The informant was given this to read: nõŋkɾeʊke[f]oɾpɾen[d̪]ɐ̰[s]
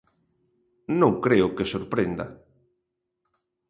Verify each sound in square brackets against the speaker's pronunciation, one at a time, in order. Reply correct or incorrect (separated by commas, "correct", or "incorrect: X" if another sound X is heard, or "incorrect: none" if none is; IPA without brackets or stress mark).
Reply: incorrect: s, correct, incorrect: none